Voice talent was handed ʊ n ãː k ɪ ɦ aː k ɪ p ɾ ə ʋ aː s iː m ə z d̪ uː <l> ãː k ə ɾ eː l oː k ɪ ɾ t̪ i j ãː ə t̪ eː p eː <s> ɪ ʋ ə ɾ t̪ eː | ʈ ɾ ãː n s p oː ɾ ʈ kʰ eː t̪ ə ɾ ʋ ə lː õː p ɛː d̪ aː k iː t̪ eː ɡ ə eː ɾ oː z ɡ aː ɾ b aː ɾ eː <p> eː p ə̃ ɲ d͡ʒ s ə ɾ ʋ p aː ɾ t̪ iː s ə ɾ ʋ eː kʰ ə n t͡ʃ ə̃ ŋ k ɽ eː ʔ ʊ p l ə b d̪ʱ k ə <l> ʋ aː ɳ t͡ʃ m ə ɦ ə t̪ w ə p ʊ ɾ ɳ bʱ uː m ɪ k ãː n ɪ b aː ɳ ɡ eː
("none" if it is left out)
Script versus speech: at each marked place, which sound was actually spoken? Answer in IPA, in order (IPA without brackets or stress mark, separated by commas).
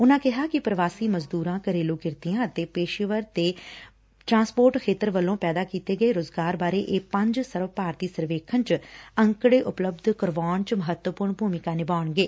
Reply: ɾ, ʃ, ʔ, ɾ